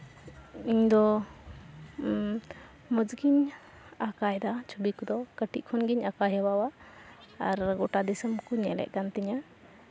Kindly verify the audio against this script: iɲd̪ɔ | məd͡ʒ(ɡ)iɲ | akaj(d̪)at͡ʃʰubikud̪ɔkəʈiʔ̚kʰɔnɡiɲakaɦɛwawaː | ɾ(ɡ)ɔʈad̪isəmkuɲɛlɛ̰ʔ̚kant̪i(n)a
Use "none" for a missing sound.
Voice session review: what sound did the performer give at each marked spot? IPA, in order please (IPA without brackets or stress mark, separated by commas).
ɡ, d̪, ɡ, ɲ